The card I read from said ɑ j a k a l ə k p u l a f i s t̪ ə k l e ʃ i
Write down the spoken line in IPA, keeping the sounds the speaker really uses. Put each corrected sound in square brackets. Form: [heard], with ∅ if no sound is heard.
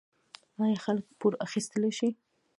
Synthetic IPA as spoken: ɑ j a [x] a l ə k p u [ɾ] a [x] i s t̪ ə [∅] l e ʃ i